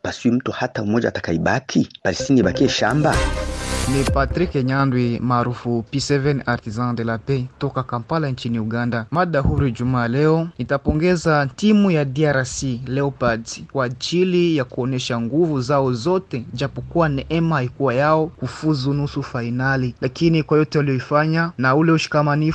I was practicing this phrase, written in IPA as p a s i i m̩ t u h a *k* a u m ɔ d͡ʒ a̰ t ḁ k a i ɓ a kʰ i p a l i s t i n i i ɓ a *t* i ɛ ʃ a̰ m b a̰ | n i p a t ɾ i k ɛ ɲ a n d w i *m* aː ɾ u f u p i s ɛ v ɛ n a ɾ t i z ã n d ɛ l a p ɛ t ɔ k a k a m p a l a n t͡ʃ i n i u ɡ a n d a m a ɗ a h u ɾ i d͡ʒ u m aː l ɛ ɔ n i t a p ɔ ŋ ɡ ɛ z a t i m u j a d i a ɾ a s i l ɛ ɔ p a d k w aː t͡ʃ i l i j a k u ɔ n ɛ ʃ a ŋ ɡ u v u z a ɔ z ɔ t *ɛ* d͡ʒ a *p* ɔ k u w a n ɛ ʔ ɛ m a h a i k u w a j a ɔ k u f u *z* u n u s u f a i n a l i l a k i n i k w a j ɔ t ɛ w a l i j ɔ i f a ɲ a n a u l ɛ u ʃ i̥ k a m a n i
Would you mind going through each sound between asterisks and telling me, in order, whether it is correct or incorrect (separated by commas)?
incorrect, incorrect, correct, correct, correct, correct